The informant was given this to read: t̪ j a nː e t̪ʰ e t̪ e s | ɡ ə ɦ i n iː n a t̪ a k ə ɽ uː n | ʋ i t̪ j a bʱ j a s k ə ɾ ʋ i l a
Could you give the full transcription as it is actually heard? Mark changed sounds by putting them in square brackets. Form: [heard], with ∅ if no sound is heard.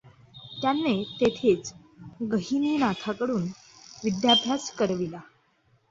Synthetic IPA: t̪ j a nː e [t̪] e [t̪ʰ] e [t͡s] | ɡ ə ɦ i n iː n a [t̪ʰ] a k ə ɽ uː n | ʋ i [d̪] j a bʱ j a s k ə ɾ ʋ i l a